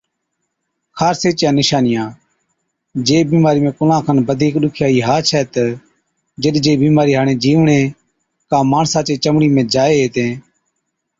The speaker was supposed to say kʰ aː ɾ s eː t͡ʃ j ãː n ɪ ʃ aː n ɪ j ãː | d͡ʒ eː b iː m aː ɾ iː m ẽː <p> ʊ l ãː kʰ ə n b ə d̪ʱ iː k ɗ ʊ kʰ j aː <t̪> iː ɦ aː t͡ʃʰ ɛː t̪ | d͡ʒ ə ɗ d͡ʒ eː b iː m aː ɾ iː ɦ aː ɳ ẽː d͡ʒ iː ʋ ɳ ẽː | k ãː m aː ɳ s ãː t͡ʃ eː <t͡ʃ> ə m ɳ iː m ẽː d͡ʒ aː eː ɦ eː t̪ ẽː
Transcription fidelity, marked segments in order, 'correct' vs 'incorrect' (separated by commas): incorrect, incorrect, correct